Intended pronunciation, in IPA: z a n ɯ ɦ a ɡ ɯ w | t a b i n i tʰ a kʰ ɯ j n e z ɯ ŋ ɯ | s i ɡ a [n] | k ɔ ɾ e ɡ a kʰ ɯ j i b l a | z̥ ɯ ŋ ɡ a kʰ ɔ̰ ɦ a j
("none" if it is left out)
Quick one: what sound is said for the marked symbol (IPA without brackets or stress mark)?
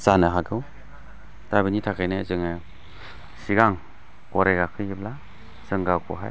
ŋ